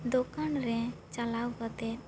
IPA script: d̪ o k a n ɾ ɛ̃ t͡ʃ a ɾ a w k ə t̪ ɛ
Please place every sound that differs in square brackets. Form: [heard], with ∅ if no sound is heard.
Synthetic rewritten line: d̪ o k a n ɾ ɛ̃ t͡ʃ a [l] a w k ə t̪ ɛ